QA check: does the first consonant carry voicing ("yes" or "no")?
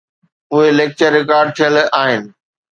yes